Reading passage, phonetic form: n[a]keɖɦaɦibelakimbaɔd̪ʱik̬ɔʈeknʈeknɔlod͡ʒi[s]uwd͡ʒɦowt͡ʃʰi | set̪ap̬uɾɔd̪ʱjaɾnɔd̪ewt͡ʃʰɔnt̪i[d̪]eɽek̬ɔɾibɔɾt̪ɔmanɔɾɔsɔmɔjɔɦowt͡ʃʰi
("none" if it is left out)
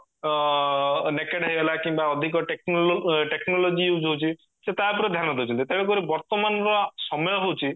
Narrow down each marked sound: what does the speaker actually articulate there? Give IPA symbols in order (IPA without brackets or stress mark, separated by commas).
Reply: e, none, t̪